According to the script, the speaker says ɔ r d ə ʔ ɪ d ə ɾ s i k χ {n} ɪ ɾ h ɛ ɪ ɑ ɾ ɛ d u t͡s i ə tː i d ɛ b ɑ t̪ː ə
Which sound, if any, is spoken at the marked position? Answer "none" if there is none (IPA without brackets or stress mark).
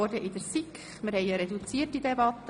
m